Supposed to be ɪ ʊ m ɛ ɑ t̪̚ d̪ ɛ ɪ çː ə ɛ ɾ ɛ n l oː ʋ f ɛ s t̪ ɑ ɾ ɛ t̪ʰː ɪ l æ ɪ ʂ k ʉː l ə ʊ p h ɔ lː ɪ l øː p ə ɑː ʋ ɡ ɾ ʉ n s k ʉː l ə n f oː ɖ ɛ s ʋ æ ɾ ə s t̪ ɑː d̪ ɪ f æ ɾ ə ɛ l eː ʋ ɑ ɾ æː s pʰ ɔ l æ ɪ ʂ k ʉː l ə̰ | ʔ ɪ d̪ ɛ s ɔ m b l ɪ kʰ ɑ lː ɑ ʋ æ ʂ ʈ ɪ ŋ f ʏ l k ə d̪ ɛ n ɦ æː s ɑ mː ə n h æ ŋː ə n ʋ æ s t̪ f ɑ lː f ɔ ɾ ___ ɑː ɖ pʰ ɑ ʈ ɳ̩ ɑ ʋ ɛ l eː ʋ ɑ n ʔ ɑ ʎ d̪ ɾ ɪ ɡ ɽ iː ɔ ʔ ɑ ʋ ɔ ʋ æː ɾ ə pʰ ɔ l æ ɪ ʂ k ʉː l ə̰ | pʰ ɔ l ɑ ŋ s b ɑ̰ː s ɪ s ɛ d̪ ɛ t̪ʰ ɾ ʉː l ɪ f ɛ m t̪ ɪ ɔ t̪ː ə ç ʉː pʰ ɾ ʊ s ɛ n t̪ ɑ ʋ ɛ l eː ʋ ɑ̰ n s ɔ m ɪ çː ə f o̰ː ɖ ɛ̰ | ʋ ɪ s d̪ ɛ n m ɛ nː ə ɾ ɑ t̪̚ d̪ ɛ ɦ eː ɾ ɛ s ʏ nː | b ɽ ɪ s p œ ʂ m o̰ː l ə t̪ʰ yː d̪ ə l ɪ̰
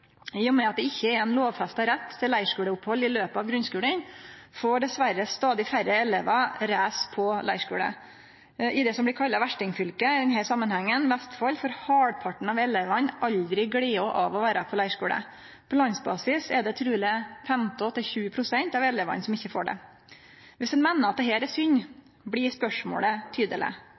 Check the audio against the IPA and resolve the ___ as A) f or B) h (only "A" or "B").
B